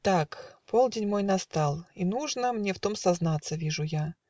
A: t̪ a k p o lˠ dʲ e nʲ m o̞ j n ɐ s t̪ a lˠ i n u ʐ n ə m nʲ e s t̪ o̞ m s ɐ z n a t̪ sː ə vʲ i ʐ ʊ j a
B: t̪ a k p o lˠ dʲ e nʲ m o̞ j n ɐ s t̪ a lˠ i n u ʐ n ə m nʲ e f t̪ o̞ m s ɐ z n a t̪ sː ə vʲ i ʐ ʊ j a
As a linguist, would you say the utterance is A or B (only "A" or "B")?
B